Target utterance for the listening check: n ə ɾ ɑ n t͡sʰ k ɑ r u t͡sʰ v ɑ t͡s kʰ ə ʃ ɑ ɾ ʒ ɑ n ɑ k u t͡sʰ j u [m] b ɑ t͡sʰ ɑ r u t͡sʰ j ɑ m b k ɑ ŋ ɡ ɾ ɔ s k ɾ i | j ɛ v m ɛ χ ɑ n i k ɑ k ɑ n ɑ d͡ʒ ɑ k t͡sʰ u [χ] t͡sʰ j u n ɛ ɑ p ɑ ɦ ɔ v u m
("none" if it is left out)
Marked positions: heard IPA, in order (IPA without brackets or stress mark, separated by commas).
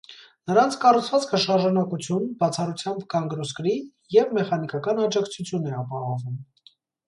n, none